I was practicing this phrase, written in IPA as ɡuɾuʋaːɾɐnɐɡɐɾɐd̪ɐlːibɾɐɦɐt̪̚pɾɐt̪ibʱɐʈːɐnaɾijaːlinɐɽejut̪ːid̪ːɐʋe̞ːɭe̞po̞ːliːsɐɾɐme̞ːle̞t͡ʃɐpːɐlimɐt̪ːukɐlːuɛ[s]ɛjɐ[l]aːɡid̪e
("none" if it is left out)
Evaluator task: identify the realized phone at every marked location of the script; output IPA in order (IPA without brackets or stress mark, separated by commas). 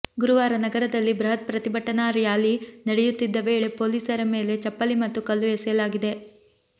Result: s, l